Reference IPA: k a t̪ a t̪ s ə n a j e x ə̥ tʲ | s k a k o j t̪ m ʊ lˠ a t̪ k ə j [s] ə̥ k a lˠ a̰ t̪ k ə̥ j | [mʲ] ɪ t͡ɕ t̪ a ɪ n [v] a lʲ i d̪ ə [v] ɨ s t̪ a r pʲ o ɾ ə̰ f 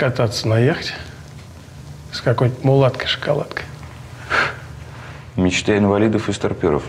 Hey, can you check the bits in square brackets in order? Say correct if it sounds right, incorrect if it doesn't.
incorrect, correct, correct, incorrect

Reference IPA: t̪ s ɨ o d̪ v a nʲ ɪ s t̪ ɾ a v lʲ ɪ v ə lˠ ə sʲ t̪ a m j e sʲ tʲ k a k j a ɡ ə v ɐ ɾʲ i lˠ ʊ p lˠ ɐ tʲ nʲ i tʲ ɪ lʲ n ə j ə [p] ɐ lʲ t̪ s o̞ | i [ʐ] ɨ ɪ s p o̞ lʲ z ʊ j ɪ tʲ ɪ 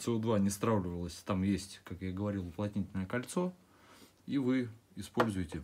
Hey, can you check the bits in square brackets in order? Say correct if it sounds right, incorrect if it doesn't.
incorrect, incorrect

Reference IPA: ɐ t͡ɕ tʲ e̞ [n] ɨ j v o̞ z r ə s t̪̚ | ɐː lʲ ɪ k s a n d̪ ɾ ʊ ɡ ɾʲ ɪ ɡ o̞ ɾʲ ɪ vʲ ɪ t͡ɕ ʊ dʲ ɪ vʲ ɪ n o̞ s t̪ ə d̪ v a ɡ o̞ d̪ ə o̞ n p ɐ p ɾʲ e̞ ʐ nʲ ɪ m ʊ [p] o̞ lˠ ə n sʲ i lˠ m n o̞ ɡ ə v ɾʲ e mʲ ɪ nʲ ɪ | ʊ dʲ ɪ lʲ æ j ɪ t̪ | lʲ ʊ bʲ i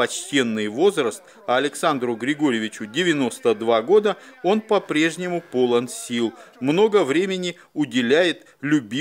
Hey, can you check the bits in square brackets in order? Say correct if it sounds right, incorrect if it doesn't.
incorrect, correct

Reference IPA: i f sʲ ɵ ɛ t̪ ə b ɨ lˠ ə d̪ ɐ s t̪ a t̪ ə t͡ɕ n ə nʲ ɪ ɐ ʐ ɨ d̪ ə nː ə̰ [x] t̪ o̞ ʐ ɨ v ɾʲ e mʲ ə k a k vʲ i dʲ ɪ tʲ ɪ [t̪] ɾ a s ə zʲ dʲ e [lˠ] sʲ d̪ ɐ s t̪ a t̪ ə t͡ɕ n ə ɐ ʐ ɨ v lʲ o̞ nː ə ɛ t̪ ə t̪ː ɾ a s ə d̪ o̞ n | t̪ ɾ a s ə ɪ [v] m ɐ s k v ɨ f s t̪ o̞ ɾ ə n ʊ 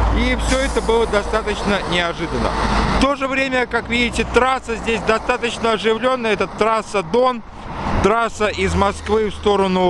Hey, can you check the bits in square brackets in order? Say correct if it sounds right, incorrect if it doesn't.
incorrect, correct, incorrect, incorrect

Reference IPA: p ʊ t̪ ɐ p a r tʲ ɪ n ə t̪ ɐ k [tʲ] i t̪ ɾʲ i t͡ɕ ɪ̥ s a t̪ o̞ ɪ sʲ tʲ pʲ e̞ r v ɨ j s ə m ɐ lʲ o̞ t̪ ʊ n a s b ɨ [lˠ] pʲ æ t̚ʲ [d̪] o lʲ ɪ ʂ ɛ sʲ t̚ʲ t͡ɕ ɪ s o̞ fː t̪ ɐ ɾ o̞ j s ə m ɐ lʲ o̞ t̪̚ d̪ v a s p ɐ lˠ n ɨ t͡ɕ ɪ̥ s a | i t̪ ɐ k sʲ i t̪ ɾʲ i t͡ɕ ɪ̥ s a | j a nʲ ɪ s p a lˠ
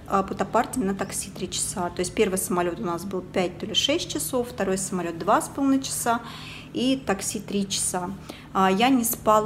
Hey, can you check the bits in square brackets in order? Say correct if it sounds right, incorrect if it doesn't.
incorrect, correct, incorrect

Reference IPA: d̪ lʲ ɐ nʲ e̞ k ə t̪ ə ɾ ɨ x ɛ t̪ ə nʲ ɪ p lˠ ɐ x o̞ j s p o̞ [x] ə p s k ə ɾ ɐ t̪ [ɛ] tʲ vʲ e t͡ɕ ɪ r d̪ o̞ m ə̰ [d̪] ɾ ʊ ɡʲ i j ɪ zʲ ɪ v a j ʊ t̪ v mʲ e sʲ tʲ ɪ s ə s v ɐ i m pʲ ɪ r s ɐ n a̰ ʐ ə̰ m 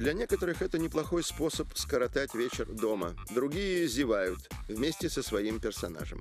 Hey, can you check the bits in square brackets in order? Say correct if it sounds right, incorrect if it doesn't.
incorrect, incorrect, correct

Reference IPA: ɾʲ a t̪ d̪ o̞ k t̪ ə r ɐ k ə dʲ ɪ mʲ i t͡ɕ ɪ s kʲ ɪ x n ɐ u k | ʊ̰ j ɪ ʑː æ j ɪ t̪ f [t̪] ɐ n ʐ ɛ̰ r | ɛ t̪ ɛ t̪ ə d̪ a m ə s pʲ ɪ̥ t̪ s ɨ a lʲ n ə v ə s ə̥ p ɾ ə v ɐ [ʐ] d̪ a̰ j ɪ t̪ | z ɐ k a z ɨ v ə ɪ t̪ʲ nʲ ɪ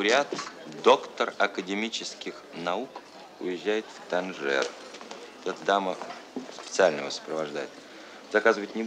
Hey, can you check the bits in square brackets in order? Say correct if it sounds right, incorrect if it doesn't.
correct, correct

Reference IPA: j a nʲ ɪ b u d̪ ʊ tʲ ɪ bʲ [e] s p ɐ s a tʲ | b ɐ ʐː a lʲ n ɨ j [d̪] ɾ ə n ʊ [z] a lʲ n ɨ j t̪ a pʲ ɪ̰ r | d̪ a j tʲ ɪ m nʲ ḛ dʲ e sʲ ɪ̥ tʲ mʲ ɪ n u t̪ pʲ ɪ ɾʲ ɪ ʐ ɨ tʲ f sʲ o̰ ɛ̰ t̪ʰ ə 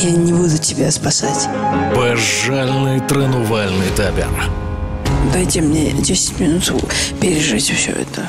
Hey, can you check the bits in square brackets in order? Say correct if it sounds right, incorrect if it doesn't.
incorrect, incorrect, incorrect

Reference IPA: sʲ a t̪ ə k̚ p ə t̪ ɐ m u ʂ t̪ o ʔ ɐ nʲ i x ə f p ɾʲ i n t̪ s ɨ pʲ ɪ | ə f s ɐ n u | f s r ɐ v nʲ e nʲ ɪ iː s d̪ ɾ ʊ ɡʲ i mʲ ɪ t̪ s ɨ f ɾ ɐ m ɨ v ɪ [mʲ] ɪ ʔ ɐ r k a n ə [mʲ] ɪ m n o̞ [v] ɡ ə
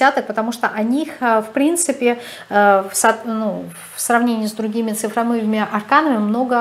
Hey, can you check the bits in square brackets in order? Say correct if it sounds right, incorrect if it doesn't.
correct, correct, incorrect

